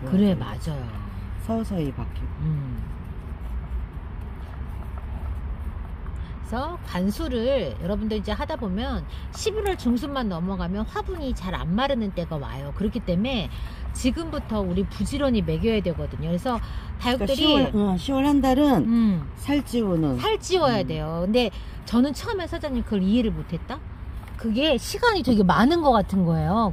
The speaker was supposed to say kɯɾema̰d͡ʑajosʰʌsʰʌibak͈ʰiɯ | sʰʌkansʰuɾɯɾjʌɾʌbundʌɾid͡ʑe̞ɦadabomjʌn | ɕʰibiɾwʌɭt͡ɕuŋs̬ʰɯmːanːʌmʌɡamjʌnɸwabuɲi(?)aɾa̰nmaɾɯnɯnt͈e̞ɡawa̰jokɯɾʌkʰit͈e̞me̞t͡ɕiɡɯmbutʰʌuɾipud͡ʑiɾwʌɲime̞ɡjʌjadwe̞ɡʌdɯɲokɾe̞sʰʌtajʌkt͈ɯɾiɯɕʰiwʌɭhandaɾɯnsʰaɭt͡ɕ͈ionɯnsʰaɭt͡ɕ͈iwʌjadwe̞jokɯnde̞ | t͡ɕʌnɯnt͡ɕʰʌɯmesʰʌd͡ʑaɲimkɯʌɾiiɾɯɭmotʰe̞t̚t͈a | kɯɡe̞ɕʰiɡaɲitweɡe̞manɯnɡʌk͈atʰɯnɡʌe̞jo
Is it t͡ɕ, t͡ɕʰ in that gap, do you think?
t͡ɕ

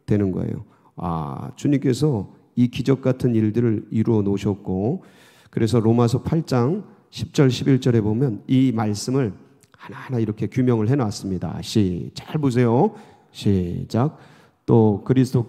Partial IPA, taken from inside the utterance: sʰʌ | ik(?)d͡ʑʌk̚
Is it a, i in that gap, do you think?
i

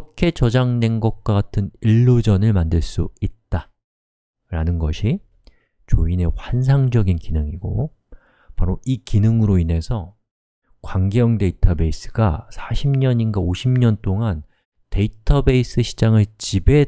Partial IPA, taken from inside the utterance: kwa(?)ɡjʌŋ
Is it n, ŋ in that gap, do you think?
ŋ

